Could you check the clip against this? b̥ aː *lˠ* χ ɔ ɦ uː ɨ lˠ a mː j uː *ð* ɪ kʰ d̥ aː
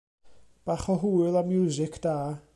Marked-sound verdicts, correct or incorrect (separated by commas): incorrect, incorrect